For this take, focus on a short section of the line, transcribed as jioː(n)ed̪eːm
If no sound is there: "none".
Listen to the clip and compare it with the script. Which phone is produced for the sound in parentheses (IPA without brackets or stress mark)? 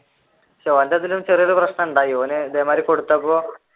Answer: n